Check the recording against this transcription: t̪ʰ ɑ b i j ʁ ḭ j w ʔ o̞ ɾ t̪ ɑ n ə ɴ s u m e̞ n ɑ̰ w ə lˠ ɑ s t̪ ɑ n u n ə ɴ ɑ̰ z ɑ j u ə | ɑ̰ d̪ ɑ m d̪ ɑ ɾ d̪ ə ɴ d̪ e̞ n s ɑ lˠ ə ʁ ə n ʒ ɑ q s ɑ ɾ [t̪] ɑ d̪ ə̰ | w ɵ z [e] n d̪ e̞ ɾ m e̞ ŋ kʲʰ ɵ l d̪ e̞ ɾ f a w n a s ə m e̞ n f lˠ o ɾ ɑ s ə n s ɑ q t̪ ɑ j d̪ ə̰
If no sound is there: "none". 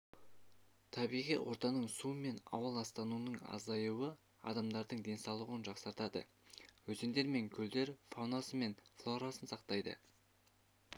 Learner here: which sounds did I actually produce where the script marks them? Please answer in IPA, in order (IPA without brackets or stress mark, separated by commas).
t̪, e